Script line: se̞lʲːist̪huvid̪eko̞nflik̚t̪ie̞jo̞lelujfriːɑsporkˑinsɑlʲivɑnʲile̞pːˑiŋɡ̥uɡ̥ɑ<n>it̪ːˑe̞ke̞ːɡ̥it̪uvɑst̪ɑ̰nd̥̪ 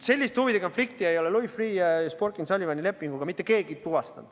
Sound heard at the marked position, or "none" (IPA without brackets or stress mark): m